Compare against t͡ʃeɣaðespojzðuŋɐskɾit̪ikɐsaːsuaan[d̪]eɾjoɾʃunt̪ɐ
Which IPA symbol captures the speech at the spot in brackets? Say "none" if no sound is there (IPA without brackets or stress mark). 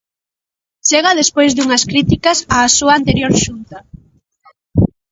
t̪